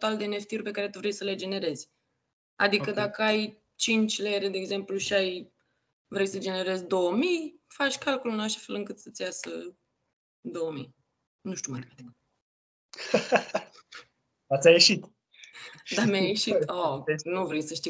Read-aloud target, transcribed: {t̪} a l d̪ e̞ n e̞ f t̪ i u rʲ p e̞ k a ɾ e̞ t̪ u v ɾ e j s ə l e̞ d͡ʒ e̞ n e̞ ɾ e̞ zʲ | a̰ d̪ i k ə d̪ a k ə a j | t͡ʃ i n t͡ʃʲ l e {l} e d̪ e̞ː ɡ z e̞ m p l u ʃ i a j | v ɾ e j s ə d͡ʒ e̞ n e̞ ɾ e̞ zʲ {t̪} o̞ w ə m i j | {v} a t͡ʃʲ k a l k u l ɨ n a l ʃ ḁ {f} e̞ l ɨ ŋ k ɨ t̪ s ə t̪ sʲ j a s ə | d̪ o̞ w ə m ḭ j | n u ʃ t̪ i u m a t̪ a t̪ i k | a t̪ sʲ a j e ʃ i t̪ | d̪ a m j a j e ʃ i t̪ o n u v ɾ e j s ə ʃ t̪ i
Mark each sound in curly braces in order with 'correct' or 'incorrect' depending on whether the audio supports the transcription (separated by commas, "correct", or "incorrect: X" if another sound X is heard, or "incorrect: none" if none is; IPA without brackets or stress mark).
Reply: correct, incorrect: ɾ, incorrect: d̪, incorrect: f, correct